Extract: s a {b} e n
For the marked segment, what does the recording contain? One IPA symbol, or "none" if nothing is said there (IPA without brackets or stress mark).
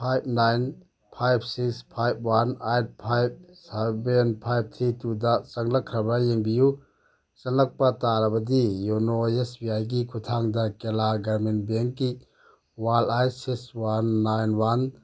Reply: b